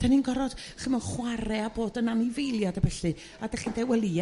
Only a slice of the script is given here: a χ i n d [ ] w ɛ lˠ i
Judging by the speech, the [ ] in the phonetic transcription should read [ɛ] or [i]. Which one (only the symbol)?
ɛ